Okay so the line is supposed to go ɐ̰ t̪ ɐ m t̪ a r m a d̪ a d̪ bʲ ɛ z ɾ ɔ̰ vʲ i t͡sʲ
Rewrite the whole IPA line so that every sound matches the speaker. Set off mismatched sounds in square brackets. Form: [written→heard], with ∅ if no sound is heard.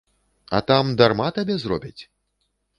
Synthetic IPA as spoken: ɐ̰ t̪ [ɐ→a] m [t̪→d̪] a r m a [d̪→t̪] a [d̪→∅] bʲ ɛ z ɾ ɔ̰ [vʲ→bʲ] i t͡sʲ